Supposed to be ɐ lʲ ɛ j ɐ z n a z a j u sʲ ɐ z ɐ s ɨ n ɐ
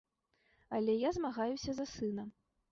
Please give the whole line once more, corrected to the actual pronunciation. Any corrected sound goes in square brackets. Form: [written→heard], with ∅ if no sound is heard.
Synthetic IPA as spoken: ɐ lʲ ɛ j [ɐ→a] z [n→m] a [z→ɣ] a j u sʲ ɐ z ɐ s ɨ n ɐ